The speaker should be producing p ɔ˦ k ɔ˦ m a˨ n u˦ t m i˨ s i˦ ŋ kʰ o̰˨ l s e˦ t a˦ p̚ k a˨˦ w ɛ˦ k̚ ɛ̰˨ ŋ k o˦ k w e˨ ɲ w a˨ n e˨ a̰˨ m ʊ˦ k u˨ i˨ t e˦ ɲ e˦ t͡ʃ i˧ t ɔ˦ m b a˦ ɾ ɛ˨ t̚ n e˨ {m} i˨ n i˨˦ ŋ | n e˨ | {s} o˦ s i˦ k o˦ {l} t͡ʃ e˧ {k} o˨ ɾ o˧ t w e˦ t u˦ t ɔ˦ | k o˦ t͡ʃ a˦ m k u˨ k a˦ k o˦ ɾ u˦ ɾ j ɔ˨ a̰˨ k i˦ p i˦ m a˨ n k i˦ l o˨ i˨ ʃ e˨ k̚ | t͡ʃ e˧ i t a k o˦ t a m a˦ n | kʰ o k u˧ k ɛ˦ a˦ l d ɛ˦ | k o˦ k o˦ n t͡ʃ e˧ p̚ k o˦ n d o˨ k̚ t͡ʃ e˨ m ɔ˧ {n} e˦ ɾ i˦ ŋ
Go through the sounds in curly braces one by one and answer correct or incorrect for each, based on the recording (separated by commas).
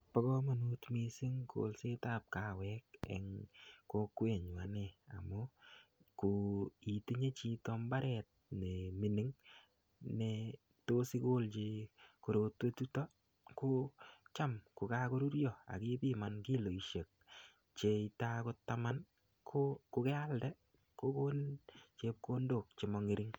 correct, incorrect, correct, correct, incorrect